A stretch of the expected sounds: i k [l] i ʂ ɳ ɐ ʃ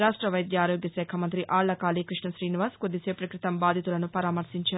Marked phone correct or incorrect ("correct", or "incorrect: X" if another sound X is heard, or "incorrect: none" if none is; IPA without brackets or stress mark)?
incorrect: ɾ